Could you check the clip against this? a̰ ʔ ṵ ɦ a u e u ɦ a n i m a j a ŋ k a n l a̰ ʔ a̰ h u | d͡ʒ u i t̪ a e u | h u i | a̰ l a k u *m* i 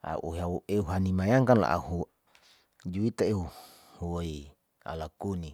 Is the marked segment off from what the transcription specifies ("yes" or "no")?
yes